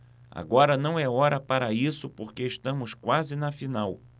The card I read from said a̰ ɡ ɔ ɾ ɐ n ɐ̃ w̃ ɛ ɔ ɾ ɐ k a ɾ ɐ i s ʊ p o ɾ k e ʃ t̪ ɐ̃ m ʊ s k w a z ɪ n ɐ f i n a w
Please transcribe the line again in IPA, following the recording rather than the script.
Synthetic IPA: a̰ ɡ ɔ ɾ ɐ n ɐ̃ w̃ ɛ ɔ ɾ ɐ p a ɾ ɐ i s ʊ p o ɾ k e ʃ t̪ ɐ̃ m ʊ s k w a z ɪ n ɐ f i n a w